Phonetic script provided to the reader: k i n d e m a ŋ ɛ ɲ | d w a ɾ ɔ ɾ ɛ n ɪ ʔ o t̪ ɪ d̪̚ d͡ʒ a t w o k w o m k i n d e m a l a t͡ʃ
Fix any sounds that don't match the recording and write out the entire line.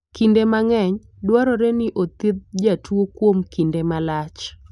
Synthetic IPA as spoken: k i n d e m a ŋ ɛ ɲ | d w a ɾ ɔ ɾ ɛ n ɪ ʔ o t̪ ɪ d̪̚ d͡ʒ a t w o k w o m k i n d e m a l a t͡ʃ